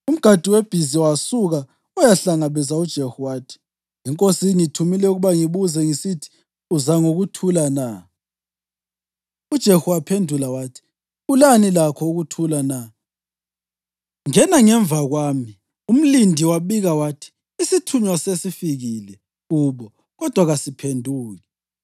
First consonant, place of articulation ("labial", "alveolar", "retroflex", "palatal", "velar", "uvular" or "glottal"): labial